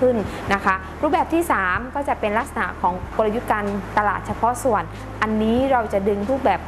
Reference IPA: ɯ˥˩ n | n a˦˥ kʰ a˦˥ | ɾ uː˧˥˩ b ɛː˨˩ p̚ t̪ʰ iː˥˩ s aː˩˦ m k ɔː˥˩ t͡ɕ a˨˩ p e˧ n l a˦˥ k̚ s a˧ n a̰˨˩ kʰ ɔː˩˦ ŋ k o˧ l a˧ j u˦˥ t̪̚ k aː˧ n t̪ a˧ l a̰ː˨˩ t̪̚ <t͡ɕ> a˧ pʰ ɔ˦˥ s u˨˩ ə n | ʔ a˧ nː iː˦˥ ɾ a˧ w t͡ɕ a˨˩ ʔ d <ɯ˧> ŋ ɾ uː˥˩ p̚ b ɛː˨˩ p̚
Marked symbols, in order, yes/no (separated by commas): no, yes